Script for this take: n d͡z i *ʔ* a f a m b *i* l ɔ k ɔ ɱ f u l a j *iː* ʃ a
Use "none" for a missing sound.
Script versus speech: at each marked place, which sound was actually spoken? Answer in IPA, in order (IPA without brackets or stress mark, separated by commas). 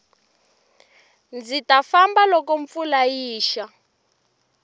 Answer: t, a, iː